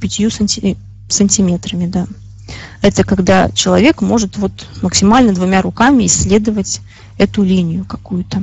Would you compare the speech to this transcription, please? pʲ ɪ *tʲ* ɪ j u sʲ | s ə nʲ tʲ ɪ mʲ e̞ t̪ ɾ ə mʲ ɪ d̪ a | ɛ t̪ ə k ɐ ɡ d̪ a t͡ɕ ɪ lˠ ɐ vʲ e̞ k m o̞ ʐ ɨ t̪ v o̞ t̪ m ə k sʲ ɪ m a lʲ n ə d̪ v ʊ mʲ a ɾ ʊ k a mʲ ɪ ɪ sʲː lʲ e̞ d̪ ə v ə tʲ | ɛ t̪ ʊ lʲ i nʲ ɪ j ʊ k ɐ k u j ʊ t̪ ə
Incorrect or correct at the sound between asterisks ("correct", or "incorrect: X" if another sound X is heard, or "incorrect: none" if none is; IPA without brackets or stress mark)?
correct